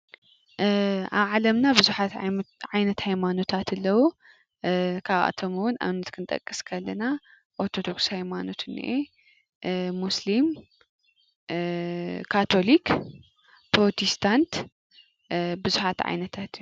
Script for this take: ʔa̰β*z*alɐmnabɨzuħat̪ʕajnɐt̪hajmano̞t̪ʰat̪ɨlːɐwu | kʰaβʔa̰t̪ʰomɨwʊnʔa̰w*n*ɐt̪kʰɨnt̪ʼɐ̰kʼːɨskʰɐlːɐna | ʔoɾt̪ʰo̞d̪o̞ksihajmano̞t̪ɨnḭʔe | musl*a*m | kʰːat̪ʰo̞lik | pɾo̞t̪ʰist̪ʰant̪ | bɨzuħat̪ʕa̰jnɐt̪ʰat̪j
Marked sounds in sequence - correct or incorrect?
incorrect: ʕ, correct, incorrect: i

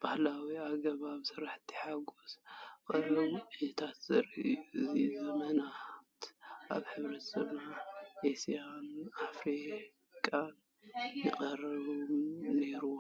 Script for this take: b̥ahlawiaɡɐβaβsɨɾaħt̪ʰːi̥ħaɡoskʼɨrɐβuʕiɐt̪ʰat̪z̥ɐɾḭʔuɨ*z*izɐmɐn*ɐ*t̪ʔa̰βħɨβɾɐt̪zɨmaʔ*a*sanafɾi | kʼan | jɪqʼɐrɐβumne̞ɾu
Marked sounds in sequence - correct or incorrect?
correct, incorrect: a, incorrect: e

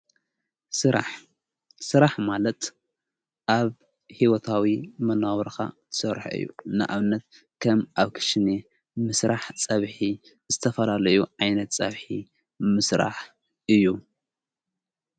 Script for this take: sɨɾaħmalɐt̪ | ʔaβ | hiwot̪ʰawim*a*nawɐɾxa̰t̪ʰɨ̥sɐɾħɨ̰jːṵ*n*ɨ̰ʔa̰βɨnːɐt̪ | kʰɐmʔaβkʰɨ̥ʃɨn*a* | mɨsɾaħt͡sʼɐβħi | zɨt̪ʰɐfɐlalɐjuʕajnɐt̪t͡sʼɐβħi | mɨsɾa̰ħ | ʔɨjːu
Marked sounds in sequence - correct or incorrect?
incorrect: ɐ, correct, incorrect: e

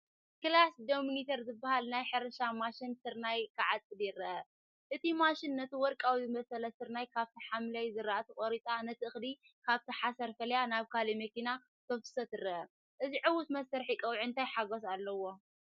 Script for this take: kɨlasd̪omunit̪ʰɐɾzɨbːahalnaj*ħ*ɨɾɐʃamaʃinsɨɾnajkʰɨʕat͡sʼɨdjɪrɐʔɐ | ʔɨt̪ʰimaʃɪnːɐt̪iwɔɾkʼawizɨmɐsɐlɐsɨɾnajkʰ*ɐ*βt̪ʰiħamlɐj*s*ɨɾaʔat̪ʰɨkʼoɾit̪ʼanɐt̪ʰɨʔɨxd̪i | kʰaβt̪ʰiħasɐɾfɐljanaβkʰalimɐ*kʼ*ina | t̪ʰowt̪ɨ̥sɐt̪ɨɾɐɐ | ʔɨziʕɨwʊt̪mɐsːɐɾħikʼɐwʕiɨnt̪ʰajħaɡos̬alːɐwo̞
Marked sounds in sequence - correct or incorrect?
correct, incorrect: a, incorrect: z, incorrect: k

